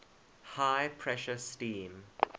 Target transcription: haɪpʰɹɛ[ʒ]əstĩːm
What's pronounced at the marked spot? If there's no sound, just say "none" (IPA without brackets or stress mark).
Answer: ʃ